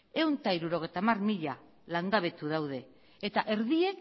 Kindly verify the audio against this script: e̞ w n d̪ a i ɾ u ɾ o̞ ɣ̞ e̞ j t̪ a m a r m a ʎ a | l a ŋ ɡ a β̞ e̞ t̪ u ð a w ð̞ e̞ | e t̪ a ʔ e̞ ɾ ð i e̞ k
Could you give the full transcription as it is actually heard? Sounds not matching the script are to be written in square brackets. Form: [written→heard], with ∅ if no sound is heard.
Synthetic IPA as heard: e̞ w n [d̪→t̪] a i ɾ u ɾ o̞ ɣ̞ e̞ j t̪ a m a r m [a→i] ʎ a | l a ŋ ɡ a β̞ e̞ t̪ u ð a w ð̞ e̞ | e t̪ a ʔ e̞ ɾ ð i e̞ k

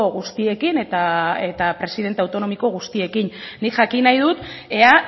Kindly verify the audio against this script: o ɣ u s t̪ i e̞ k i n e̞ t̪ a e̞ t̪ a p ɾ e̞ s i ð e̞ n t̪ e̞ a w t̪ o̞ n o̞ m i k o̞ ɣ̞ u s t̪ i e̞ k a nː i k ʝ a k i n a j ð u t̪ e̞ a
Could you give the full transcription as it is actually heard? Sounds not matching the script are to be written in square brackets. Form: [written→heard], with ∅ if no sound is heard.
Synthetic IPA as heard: o ɣ u s t̪ i e̞ k i n e̞ t̪ a e̞ t̪ a p ɾ e̞ s i ð e̞ n t̪ e̞ a w t̪ o̞ n o̞ m i k o̞ ɣ̞ u s t̪ i e̞ k [a→i] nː i k ʝ a k i n a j ð u t̪ e̞ a

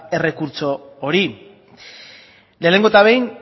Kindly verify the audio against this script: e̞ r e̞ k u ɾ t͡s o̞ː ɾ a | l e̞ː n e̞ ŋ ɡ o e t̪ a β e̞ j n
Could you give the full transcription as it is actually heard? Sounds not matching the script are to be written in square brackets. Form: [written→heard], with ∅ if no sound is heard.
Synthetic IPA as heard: e̞ r e̞ k u ɾ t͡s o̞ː ɾ [a→i] | l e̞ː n e̞ ŋ ɡ o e t̪ a β e̞ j n

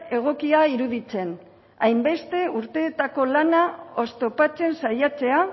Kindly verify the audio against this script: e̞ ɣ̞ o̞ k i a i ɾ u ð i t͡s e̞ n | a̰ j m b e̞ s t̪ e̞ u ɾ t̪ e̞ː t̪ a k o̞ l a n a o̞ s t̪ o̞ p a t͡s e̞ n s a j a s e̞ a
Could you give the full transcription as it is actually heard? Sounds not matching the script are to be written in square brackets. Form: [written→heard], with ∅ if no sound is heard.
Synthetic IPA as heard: e̞ ɣ̞ o̞ k i a i ɾ u ð i t͡s e̞ n | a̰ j m b e̞ s t̪ e̞ u ɾ t̪ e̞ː t̪ a k o̞ l a n a o̞ s t̪ o̞ p a t͡s e̞ n s a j a [s→t͡s] e̞ a

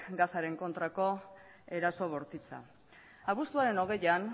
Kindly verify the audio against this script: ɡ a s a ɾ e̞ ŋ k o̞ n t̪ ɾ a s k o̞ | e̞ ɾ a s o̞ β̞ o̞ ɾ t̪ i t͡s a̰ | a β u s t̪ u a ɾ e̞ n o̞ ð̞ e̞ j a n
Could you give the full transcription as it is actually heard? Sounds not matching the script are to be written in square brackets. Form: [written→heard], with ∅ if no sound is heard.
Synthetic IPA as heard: ɡ a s a ɾ e̞ ŋ k o̞ n t̪ ɾ a [s→∅] k o̞ | e̞ ɾ a s o̞ β̞ o̞ ɾ t̪ i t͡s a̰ | a β u s t̪ u a ɾ e̞ n o̞ [ð̞→ɣ̞] e̞ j a n

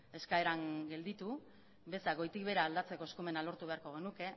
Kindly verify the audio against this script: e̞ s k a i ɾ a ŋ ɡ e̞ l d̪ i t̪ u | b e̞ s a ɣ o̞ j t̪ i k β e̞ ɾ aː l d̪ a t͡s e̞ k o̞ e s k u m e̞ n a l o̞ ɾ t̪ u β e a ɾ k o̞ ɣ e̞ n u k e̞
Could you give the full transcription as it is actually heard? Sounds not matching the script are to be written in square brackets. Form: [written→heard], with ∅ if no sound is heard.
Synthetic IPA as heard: e̞ s k a [i→e] ɾ a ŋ ɡ e̞ l d̪ i t̪ u | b e̞ s a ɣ o̞ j t̪ i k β e̞ ɾ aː l d̪ a t͡s e̞ k o̞ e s k u m e̞ n a l o̞ ɾ t̪ u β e a ɾ k o̞ ɣ e̞ n u k e̞

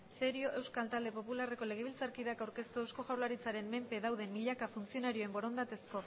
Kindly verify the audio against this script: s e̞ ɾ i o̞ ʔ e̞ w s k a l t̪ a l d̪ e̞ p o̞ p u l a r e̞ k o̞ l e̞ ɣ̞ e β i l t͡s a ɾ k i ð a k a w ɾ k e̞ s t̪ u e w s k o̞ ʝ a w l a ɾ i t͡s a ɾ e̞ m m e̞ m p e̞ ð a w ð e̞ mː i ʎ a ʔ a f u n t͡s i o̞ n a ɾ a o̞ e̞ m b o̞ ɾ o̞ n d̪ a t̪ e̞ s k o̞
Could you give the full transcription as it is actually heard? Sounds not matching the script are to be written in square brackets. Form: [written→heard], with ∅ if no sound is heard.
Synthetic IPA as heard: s e̞ ɾ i o̞ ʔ e̞ w s k a l t̪ a l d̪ e̞ p o̞ p u l a r e̞ k o̞ l e̞ ɣ̞ e β i l t͡s a ɾ k i ð a k a w ɾ k e̞ s t̪ u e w s k o̞ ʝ a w l a ɾ i t͡s a ɾ e̞ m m e̞ m p e̞ ð a w ð e̞ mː i ʎ a [ʔ→k] a f u n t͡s i o̞ n a ɾ [a→i] o̞ e̞ m b o̞ ɾ o̞ n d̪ a t̪ e̞ s k o̞

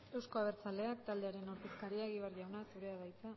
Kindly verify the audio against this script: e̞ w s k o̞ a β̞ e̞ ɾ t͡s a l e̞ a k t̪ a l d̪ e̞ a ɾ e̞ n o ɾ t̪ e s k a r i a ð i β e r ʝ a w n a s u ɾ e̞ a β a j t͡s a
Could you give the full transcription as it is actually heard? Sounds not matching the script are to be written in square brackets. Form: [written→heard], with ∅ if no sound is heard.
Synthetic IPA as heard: e̞ w s k o̞ a β̞ e̞ ɾ t͡s a l e̞ a k t̪ a l d̪ e̞ a ɾ e̞ n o ɾ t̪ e s k a [r→ɾ] i a [ð→ɣ] i β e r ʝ a w n a s u ɾ e̞ a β a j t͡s a

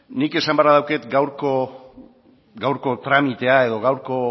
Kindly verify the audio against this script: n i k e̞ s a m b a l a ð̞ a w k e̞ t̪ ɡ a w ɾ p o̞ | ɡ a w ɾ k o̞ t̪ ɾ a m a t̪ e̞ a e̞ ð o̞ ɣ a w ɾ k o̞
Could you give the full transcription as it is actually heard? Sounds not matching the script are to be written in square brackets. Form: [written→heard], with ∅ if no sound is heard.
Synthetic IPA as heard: n i k e̞ s a m b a [l→ɾ] a ð̞ a w k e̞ t̪ ɡ a w ɾ [p→k] o̞ | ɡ a w ɾ k o̞ t̪ ɾ a m [a→i] t̪ e̞ a e̞ ð o̞ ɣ a w ɾ k o̞

